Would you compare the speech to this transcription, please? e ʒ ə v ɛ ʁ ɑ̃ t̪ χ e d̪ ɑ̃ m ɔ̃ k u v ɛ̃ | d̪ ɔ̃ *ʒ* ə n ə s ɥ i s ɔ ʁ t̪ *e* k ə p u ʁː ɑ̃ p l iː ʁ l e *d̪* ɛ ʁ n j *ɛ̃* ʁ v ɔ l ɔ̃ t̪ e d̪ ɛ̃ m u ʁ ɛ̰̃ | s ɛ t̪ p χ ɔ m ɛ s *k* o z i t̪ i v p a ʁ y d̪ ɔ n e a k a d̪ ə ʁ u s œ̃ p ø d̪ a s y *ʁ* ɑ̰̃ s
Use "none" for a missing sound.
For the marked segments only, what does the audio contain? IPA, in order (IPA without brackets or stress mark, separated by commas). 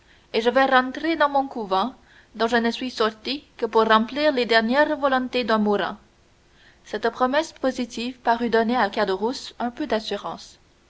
ʒ, i, d̪, ɛ, p, ʁ